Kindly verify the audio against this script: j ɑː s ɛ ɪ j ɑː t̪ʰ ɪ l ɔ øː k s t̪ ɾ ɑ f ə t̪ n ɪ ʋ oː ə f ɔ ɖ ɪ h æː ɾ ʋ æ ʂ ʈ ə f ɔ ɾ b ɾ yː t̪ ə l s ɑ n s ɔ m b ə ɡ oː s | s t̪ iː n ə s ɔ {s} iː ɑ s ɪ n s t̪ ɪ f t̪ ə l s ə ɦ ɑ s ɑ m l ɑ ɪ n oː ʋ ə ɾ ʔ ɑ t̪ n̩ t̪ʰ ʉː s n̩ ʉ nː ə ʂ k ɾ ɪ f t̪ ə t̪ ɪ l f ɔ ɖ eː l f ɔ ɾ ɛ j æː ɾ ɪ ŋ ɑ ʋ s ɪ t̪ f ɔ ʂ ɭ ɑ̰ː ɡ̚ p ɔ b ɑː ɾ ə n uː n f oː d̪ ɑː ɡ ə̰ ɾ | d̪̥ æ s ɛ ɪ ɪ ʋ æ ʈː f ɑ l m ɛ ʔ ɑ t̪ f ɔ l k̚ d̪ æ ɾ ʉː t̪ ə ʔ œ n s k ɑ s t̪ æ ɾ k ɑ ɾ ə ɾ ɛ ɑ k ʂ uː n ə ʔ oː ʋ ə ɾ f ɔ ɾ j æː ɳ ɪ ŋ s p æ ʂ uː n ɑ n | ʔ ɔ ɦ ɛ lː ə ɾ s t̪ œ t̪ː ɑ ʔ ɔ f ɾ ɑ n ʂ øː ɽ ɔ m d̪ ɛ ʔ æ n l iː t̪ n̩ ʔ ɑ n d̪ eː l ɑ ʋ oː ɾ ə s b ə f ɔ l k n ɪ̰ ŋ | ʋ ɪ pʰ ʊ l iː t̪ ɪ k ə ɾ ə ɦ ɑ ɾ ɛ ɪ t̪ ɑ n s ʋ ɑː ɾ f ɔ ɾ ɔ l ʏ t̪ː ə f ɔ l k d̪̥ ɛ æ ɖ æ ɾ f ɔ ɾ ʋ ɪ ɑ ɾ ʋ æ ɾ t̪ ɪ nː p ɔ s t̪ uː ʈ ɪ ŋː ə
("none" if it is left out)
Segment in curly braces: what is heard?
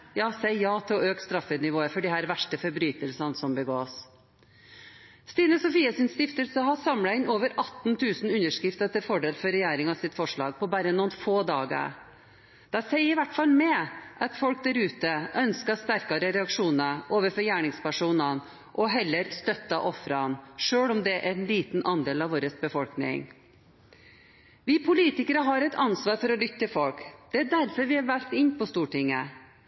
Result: f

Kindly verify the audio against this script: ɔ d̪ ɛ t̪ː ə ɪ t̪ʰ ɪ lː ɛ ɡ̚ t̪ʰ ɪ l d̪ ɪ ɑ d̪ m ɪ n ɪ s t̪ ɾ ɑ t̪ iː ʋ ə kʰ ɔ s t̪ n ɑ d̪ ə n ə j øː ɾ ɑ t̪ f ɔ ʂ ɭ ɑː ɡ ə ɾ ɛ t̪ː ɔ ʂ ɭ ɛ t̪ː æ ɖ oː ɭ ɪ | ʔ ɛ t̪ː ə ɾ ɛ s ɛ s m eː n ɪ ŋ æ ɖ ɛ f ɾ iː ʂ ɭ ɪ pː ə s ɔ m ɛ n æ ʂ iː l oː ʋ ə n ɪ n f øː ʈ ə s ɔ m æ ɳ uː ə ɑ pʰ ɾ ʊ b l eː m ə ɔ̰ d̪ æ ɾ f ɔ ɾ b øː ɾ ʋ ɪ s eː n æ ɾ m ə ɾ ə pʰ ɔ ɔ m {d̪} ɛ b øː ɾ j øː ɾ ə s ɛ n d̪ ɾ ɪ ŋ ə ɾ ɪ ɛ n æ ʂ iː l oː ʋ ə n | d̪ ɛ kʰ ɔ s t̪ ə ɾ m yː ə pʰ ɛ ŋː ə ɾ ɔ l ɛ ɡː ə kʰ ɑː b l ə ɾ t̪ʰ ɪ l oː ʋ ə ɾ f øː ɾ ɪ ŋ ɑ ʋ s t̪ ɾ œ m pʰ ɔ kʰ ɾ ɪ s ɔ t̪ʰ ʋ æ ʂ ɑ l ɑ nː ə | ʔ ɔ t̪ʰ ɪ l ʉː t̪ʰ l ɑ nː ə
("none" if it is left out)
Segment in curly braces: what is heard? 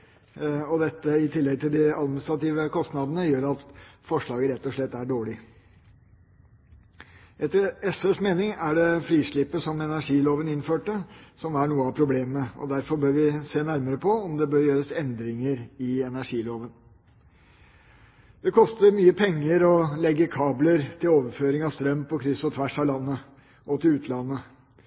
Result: d̪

